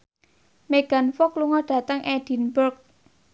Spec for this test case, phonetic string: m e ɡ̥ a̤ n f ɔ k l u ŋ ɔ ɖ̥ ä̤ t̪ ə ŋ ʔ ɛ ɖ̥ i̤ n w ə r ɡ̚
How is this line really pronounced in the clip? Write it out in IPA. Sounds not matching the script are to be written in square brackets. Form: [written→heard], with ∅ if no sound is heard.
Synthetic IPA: m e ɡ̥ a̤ n f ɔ k l u ŋ ɔ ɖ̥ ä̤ t̪ ə ŋ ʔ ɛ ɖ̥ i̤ n [w→b] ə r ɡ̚